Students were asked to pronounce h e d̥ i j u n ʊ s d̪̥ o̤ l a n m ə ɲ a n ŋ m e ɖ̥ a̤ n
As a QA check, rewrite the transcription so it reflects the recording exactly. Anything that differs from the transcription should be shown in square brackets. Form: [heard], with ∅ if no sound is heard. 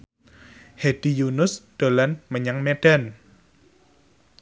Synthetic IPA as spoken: h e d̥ i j u n ʊ s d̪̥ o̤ l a n m ə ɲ a [∅] ŋ m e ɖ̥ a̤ n